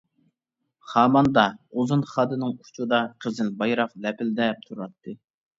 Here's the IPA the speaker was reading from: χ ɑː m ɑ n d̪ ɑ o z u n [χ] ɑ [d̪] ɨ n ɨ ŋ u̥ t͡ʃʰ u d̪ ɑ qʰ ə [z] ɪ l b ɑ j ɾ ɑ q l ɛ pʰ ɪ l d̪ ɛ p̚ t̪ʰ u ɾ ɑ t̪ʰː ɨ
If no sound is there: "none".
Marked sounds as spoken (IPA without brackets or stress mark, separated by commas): χ, d̪, z